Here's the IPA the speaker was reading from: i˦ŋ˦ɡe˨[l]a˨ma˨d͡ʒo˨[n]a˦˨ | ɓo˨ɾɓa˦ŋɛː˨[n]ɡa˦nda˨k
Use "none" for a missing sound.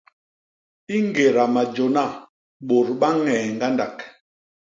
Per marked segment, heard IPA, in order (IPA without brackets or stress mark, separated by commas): ɾ, n, ŋ